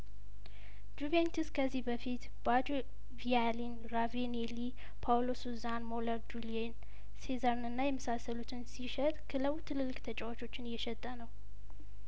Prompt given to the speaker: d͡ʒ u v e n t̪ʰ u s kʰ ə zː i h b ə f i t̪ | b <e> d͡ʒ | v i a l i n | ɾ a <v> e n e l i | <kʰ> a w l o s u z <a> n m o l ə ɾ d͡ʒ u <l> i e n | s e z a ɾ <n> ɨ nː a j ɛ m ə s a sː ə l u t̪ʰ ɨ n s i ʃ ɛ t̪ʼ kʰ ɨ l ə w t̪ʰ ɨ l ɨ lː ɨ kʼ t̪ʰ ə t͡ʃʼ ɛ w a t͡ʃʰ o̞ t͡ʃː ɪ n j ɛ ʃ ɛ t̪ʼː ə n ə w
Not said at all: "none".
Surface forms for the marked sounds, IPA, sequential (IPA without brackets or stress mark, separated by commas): a, v, pʰ, a, l, n